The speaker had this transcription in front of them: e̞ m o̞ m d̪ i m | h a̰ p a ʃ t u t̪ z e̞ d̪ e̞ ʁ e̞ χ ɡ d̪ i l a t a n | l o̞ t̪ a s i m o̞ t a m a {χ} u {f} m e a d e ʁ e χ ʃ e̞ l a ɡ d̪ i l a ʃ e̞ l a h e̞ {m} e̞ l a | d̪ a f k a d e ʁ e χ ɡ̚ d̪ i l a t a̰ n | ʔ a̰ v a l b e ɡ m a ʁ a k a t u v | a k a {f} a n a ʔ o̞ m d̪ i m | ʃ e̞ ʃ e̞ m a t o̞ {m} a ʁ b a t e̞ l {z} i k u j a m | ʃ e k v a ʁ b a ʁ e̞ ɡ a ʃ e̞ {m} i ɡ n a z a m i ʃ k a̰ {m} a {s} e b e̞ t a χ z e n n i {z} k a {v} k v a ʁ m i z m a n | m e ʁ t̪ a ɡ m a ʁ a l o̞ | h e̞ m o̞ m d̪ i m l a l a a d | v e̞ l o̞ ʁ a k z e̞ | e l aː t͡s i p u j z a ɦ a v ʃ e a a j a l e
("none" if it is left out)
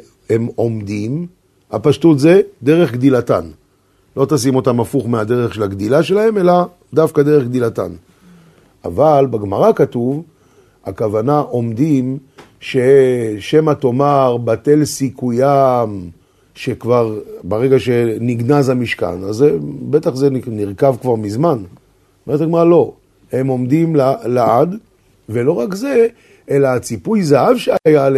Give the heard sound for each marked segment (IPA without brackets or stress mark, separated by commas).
f, χ, m, v, m, s, n, n, z, ʁ, v